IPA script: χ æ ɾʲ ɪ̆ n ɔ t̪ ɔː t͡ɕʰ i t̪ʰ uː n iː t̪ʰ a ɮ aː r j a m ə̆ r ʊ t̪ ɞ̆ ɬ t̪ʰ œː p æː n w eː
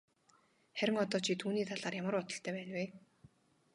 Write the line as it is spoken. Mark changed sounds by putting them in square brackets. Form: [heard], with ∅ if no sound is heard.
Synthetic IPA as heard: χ æ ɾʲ ɪ̆ [ŋ] ɔ t̪ ɔː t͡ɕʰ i t̪ʰ uː n iː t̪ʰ a ɮ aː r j a m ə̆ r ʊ t̪ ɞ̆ ɬ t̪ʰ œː p æː n w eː